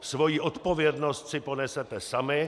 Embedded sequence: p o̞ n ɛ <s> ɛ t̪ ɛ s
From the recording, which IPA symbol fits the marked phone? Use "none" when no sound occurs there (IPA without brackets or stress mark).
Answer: s